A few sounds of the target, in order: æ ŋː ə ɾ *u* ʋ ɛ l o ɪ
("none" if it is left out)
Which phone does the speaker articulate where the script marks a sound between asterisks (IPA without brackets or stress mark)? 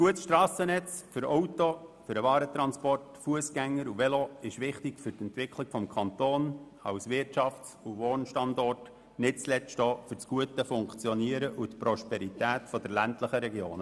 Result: u